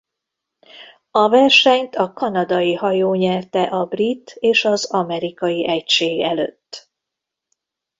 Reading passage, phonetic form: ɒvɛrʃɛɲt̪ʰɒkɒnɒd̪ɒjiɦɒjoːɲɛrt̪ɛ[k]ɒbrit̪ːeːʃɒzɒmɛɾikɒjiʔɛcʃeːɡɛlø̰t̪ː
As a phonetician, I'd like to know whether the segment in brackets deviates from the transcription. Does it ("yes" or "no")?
yes